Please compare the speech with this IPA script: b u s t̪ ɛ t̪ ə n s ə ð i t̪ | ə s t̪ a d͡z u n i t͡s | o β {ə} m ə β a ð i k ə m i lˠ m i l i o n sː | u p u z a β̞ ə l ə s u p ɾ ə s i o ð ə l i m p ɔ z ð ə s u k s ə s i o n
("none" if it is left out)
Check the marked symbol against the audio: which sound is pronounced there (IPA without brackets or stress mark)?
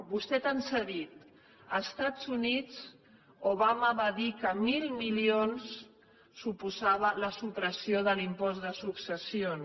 a